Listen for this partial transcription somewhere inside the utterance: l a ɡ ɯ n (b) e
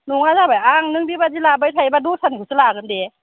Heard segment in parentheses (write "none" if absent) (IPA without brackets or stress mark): d